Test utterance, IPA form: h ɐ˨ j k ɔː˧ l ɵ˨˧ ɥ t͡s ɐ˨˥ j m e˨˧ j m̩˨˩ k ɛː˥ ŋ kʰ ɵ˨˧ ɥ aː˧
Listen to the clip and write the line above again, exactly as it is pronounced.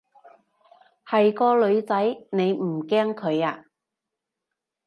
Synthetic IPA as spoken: h ɐ˨ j k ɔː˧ l ɵ˨˧ ɥ t͡s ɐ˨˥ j n e˨˧ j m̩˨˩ k ɛː˥ ŋ kʰ ɵ˨˧ ɥ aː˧